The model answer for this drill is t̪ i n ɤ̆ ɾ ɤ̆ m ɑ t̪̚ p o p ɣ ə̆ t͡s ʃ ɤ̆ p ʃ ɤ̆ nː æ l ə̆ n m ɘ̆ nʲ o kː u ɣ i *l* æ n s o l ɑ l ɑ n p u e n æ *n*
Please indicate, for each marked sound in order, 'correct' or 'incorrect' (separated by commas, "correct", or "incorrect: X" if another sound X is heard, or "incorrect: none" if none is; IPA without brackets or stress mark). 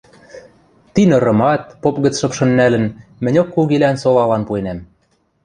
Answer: correct, incorrect: m